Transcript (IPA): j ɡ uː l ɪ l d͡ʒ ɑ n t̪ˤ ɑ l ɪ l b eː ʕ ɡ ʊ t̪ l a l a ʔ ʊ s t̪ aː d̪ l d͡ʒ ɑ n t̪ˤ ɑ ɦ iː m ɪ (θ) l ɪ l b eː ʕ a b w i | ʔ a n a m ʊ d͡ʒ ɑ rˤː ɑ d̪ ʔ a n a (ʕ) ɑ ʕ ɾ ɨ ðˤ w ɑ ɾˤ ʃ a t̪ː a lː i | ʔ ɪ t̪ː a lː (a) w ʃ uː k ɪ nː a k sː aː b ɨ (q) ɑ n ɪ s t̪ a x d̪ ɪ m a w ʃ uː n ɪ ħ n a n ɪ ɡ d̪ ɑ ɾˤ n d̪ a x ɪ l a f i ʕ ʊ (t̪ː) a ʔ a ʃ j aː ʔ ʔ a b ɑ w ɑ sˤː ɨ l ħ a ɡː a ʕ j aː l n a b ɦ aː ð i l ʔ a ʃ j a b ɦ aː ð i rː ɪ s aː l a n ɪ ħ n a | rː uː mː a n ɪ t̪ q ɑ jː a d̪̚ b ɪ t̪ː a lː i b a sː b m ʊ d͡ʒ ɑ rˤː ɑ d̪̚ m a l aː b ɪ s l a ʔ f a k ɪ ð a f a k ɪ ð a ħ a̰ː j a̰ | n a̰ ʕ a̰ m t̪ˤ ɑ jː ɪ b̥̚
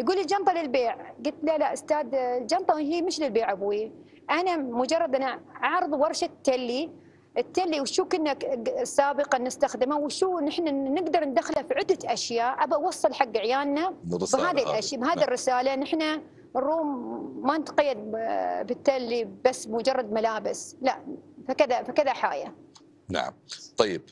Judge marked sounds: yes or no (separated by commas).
no, yes, no, yes, no